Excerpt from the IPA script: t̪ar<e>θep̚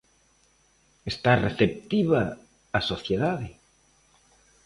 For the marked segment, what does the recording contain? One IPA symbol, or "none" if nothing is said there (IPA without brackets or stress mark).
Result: e